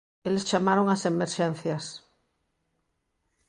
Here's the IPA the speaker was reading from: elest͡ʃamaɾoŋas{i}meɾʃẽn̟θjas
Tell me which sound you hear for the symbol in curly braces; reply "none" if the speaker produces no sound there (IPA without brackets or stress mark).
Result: e